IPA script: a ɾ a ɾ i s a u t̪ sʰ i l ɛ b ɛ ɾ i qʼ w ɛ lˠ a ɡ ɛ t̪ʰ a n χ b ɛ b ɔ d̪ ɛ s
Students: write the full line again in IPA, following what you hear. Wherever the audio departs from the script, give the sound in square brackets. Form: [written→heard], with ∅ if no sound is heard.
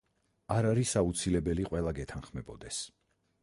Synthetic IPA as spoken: a ɾ a ɾ i s a u t̪ sʰ i l ɛ b ɛ [ɾ→l] i qʼ w ɛ lˠ a ɡ ɛ t̪ʰ a n χ [b→m] ɛ b ɔ d̪ ɛ s

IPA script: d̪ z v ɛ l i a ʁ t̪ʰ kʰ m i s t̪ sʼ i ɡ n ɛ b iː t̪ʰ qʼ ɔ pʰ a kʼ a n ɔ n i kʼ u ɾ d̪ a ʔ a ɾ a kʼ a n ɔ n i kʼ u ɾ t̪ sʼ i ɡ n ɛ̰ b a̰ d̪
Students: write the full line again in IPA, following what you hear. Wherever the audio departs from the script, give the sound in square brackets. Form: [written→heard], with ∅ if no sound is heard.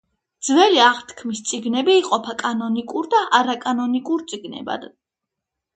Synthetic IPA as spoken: d̪ z v ɛ l i a ʁ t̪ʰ kʰ m i s t̪ sʼ i ɡ n ɛ b iː [t̪ʰ→∅] qʼ ɔ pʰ a kʼ a n ɔ n i kʼ u ɾ d̪ a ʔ a ɾ a kʼ a n ɔ n i kʼ u ɾ t̪ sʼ i ɡ n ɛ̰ b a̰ d̪

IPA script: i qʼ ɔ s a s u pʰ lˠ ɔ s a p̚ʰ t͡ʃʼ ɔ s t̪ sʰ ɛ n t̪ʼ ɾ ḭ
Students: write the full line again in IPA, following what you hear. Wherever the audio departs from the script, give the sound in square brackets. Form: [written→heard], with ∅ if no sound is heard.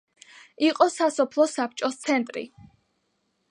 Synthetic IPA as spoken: i qʼ ɔ s a s [u→ɔ] pʰ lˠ ɔ s a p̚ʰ t͡ʃʼ ɔ s t̪ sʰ ɛ n t̪ʼ ɾ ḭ

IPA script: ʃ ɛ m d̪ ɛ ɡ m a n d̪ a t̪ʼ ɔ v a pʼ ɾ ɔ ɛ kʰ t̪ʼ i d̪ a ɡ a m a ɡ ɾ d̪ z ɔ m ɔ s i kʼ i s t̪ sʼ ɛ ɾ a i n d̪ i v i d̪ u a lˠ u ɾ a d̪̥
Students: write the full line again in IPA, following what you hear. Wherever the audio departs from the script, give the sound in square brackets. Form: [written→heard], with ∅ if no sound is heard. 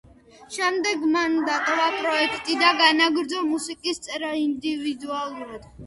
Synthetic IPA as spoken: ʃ ɛ m d̪ ɛ ɡ m a n d̪ a t̪ʼ ɔ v a pʼ ɾ ɔ ɛ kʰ t̪ʼ i d̪ a ɡ a [m→n] a ɡ ɾ d̪ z ɔ m [ɔ→u] s i kʼ i s t̪ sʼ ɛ ɾ a i n d̪ i v i d̪ u a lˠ u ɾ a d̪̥

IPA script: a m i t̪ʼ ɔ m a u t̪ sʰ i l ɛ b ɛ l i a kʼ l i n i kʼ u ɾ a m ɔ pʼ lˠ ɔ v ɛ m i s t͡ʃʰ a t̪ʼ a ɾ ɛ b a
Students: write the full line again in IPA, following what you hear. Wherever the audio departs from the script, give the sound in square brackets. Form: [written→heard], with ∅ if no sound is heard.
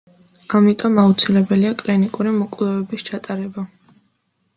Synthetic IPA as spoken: a m i t̪ʼ ɔ m a u t̪ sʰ i l ɛ b ɛ l i a kʼ l i n i kʼ u ɾ [a→i] m ɔ [pʼ→kʼ] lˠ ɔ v ɛ [m→b] i s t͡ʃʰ a t̪ʼ a ɾ ɛ b a

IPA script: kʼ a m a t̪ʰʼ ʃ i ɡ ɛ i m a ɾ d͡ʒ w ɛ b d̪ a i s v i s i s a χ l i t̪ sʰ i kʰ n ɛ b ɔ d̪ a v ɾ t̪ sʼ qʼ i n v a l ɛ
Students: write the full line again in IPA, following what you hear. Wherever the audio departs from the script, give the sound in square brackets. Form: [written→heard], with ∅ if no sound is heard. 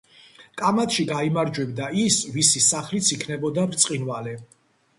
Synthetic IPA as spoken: kʼ a m a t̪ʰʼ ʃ i ɡ [ɛ→a] i m a ɾ d͡ʒ w ɛ b d̪ a i s v i s i s a χ l i t̪ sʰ i kʰ n ɛ b ɔ d̪ a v ɾ t̪ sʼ qʼ i n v a l ɛ

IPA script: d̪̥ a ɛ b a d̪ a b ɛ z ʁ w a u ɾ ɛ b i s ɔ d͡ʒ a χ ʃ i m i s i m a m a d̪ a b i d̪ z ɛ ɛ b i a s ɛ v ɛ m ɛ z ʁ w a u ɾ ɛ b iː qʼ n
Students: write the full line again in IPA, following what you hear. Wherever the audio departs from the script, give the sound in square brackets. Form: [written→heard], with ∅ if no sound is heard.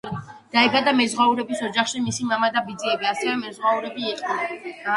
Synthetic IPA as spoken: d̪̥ a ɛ b a d̪ a [b→m] ɛ z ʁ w a u ɾ ɛ b i s ɔ d͡ʒ a χ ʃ i m i s i m a m a d̪ a b i d̪ z [ɛ→i] ɛ b i a s ɛ v ɛ m ɛ z ʁ w a u ɾ ɛ b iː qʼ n

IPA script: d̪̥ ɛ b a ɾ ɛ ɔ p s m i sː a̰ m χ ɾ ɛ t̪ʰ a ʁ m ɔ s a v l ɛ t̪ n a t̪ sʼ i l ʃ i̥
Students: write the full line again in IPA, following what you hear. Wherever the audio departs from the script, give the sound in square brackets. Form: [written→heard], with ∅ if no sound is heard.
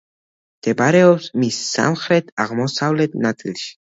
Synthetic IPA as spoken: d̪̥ ɛ b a ɾ ɛ ɔ p s m i sː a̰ m χ ɾ ɛ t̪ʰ a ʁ m ɔ s a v l ɛ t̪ n a t̪ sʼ i l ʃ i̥

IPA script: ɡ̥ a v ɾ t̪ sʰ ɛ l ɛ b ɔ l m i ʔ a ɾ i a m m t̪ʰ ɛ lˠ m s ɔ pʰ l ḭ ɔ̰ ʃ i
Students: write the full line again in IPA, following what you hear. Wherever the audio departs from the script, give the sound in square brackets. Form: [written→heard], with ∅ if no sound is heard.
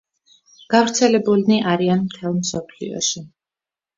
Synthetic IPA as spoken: ɡ̥ a v ɾ t̪ sʰ ɛ l ɛ b [ɔ→u] l [m→n] i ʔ a ɾ i a [m→n] m t̪ʰ ɛ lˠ m s ɔ pʰ l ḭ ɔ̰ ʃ i

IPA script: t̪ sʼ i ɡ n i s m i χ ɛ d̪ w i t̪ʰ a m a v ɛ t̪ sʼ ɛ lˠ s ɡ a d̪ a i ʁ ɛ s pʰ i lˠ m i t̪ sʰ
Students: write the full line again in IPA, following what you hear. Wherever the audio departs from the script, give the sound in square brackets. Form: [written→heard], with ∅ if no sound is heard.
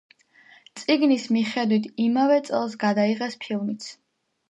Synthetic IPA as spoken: t̪ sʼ i ɡ n i s m i χ ɛ d̪ w i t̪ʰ [a→i] m a v ɛ t̪ sʼ ɛ lˠ s ɡ a d̪ a i ʁ ɛ s pʰ i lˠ m i t̪ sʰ

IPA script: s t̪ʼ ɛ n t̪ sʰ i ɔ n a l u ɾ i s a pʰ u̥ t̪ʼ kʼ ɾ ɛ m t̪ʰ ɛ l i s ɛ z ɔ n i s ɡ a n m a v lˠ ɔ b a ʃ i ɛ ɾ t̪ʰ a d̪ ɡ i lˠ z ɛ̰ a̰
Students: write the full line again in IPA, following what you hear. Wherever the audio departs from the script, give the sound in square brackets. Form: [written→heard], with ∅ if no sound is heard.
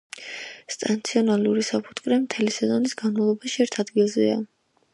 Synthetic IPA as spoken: s t̪ʼ [ɛ→a] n t̪ sʰ i ɔ n a l u ɾ i s a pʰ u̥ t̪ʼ kʼ ɾ ɛ m t̪ʰ ɛ l i s ɛ z ɔ n i s ɡ a n m a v lˠ ɔ b a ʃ i ɛ ɾ t̪ʰ a d̪ ɡ i lˠ z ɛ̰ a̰

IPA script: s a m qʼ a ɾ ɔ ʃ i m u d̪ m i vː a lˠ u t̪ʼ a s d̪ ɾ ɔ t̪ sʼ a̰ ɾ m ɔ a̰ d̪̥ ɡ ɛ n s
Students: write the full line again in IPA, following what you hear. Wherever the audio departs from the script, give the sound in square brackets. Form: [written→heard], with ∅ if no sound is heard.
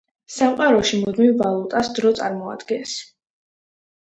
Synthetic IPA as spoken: s a m qʼ a ɾ ɔ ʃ i m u d̪ m i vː a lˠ u t̪ʼ a s d̪ ɾ ɔ t̪ sʼ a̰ ɾ m ɔ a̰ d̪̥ ɡ ɛ n s

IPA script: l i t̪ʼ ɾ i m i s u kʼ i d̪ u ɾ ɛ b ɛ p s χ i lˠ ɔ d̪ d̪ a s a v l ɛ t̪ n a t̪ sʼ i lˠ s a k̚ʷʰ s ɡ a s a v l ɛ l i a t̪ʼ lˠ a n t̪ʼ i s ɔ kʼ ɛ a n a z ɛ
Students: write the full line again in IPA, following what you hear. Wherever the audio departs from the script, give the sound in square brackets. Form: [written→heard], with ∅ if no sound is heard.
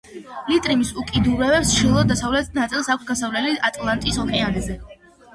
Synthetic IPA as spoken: l i t̪ʼ ɾ i m i s u kʼ i d̪ u ɾ ɛ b ɛ p s [χ→ʃ] i lˠ ɔ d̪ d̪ a s a v l ɛ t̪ n a t̪ sʼ i lˠ s a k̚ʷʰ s ɡ a s a v l ɛ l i a t̪ʼ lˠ a n t̪ʼ i s ɔ kʼ ɛ a n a z ɛ

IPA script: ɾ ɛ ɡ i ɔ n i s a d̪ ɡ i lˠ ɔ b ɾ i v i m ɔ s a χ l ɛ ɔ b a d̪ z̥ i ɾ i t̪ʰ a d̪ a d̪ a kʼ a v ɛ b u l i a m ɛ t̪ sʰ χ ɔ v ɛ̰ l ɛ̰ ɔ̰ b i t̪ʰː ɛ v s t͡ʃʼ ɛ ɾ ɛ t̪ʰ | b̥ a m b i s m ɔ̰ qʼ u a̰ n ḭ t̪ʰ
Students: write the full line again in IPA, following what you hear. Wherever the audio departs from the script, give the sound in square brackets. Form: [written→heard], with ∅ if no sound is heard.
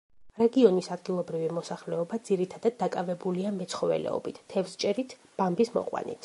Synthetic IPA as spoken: ɾ ɛ ɡ i ɔ n i s a d̪ ɡ i lˠ ɔ b ɾ i v i m ɔ s a χ l ɛ ɔ b a d̪ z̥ i ɾ i t̪ʰ a d̪ a [d̪→d̪ː] a kʼ a v ɛ b u l i a m ɛ t̪ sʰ χ ɔ v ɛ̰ l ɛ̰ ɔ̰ b i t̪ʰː ɛ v s t͡ʃʼ ɛ ɾ [ɛ→i] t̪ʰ | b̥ a m b i s m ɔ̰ qʼ [u→w] a̰ n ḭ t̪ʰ

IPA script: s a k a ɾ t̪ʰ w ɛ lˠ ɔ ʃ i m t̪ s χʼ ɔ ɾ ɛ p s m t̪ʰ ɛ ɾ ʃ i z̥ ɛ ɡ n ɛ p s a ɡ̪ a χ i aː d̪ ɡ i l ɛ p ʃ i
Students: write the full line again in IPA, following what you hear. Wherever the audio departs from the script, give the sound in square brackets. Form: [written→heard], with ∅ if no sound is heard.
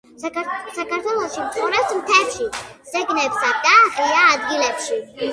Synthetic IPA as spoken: s a k a ɾ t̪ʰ w ɛ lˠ ɔ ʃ i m t̪ s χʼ ɔ ɾ ɛ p s m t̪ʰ ɛ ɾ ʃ i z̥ ɛ ɡ n ɛ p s a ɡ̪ a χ i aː d̪ ɡ i l ɛ p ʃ i

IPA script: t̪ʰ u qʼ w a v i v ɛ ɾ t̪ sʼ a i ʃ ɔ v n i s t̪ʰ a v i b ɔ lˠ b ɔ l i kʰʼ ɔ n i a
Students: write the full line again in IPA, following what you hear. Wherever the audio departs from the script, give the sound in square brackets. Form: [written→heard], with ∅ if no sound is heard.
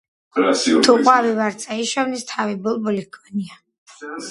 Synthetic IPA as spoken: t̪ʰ u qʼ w a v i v [ɛ→a] ɾ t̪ sʼ a i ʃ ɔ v n i s t̪ʰ a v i b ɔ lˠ b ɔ l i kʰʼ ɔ n i a

